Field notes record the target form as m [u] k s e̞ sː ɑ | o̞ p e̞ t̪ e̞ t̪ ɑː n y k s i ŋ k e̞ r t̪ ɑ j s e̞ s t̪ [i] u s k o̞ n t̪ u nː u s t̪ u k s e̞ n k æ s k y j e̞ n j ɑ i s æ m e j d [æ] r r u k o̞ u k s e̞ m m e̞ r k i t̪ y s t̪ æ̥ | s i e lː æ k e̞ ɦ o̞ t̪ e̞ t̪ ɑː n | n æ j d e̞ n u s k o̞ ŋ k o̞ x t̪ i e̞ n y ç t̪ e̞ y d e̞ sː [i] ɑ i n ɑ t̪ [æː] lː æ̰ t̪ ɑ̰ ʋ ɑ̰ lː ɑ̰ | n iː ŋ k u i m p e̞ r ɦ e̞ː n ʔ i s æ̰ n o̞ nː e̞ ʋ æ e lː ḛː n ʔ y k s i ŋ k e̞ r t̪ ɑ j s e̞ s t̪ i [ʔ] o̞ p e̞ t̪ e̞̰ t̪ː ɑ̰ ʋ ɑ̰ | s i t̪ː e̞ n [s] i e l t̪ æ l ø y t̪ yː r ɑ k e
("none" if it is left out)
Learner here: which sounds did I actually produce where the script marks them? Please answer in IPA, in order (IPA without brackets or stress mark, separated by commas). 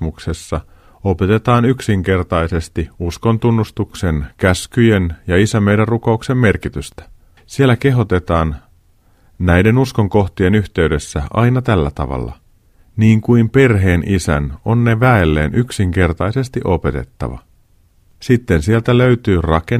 u, i, æ, æ, æ, ʔ, s